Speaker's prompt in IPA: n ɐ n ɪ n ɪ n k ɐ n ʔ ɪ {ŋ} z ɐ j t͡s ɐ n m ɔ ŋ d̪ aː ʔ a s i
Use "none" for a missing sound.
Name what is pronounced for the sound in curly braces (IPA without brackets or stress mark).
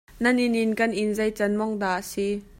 n